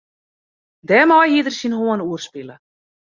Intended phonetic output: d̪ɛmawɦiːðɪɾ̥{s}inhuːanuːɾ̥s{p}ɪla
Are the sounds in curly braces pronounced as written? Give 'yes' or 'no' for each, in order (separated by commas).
yes, yes